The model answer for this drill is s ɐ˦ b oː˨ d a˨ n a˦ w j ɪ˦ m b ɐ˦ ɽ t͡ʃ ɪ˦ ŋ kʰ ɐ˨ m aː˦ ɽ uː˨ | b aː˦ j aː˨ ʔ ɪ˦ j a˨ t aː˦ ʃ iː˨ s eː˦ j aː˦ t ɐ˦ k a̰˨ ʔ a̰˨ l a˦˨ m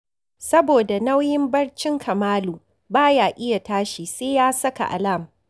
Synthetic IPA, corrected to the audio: s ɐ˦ b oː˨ d a˨ n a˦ w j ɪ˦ m b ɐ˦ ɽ t͡ʃ ɪ˦ ŋ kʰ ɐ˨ m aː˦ l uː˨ | b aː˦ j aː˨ ʔ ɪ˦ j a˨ t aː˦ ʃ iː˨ s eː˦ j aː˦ s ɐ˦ k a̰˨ ʔ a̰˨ l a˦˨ m